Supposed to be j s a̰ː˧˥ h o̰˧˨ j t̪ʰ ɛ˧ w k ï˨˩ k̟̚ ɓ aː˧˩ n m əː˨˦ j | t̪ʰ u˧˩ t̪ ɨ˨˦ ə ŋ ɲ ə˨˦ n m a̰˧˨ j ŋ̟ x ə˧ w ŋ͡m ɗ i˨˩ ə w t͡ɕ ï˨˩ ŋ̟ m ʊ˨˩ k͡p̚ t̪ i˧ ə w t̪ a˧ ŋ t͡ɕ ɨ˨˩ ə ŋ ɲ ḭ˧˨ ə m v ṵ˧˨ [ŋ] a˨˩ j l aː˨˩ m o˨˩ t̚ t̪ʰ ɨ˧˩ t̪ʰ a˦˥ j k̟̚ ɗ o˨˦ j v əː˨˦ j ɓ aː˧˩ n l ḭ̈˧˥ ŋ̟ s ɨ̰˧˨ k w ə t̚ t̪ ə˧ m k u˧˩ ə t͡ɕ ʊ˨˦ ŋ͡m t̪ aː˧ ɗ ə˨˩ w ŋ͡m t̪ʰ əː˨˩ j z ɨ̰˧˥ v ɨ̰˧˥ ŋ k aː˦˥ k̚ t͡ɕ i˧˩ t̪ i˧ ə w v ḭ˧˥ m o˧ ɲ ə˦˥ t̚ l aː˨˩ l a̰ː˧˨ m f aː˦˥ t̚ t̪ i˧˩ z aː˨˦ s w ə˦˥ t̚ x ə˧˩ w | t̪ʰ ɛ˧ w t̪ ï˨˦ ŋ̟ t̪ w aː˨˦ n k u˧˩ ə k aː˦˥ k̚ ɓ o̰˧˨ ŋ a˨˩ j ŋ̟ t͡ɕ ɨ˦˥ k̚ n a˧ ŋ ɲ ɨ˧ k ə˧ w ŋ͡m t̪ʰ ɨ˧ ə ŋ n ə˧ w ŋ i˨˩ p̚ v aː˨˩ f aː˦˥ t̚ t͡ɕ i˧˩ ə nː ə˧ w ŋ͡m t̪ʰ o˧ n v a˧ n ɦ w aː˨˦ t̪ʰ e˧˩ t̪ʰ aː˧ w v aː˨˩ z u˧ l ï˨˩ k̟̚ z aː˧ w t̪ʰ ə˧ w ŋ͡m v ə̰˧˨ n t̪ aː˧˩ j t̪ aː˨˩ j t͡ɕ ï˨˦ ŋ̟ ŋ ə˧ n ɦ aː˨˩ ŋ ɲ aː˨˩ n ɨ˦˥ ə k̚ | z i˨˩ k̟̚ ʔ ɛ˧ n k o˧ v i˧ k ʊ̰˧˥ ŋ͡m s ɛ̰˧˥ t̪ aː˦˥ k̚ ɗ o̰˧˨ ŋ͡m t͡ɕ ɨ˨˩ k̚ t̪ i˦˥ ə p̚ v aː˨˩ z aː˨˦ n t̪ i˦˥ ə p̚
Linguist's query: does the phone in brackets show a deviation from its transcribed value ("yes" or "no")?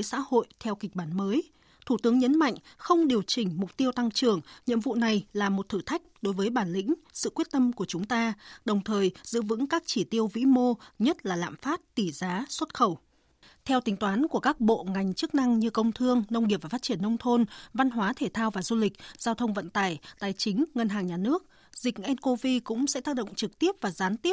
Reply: yes